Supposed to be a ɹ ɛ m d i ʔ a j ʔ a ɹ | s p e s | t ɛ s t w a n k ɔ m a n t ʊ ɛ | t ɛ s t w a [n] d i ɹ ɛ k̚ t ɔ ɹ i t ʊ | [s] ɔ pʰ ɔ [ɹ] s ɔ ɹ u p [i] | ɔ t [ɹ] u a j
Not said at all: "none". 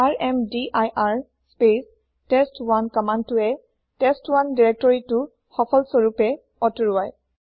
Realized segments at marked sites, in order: n, x, l, ɛ, ɹ

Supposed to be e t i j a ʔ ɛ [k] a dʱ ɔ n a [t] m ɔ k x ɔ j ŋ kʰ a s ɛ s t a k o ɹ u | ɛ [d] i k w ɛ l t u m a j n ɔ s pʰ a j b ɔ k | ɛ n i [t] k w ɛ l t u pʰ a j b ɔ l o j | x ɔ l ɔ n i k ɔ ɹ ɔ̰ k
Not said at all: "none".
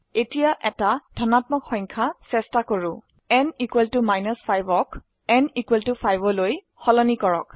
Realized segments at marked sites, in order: t, t, n, none

